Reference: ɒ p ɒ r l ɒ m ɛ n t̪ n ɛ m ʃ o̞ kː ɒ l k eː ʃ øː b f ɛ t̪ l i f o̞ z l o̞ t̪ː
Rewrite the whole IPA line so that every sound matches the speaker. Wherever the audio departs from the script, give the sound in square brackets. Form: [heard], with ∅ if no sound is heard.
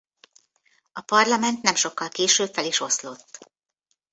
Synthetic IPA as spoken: ɒ p ɒ r l ɒ m ɛ n t̪ n ɛ m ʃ o̞ kː ɒ l k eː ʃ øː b f ɛ [∅] l i [ʃ] o̞ [s] l o̞ t̪ː